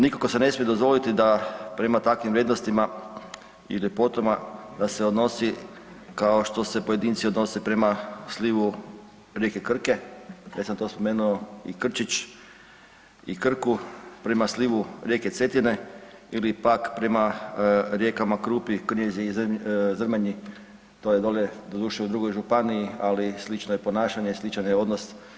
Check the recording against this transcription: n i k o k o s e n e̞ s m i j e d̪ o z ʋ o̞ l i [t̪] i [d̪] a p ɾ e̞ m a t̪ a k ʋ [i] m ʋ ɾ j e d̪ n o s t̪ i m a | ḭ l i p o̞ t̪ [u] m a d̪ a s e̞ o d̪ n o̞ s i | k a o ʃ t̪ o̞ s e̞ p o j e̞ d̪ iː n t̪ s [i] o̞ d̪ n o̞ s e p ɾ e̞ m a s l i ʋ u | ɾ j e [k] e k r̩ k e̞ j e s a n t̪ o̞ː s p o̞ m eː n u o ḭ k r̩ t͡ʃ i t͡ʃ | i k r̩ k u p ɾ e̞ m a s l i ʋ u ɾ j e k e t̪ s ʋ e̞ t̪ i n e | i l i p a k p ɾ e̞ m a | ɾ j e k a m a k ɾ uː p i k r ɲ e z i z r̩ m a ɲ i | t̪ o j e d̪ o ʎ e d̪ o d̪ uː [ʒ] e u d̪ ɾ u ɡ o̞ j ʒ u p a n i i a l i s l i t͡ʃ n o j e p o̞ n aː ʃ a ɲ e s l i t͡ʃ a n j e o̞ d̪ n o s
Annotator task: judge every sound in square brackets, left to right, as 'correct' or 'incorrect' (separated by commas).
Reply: correct, correct, correct, incorrect, correct, correct, incorrect